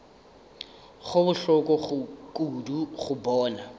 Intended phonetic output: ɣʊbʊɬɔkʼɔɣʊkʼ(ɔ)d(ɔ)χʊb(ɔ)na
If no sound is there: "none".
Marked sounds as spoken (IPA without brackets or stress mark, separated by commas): u, u, ɔː